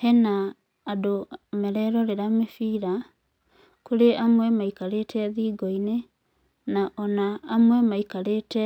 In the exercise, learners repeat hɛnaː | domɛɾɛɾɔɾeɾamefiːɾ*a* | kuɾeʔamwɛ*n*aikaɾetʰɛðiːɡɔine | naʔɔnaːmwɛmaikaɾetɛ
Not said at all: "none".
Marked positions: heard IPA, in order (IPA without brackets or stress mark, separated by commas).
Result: a, m